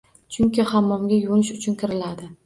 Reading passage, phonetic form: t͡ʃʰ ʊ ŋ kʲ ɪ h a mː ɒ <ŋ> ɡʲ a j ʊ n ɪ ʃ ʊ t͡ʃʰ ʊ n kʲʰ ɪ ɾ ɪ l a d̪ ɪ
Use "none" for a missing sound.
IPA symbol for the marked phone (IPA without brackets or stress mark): m